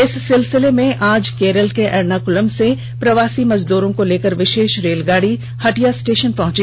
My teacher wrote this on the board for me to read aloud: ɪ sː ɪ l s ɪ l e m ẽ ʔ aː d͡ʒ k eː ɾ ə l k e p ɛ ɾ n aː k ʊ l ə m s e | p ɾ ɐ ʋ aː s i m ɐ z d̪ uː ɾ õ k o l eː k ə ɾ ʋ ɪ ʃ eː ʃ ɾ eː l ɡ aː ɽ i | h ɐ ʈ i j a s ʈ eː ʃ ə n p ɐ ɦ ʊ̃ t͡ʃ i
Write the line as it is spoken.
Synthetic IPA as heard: ɪ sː ɪ l s ɪ l e m ẽ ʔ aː d͡ʒ k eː ɾ ə l k e ʔ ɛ ɾ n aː k ʊ l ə m s e | p ɾ ɐ ʋ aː s i m ɐ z d̪ uː ɾ õ k o l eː k ə ɾ ʋ ɪ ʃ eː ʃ ɾ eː l ɡ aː ɽ i | h ɐ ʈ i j a s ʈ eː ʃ ə n p ɐ ɦ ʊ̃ t͡ʃ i